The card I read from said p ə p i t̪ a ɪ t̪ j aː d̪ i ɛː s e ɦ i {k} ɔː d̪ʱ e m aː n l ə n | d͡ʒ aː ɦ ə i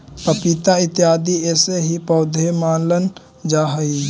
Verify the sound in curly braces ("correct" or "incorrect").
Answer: incorrect